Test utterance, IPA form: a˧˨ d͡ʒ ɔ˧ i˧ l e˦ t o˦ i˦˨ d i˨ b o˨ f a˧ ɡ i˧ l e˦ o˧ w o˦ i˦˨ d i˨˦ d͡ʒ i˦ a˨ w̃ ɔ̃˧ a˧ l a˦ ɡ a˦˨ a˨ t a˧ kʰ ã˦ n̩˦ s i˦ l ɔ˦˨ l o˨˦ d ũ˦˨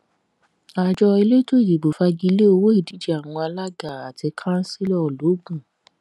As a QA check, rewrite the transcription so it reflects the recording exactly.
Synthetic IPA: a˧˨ d͡ʒ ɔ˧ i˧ l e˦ t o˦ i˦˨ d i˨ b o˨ f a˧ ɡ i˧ l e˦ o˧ w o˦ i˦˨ d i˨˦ d͡ʒ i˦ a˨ w̃ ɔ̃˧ a˧ l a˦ ɡ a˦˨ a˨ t i˧ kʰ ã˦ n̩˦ s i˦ l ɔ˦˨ l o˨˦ ɡ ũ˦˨